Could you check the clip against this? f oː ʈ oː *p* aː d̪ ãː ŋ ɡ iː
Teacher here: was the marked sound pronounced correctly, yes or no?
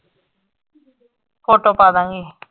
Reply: yes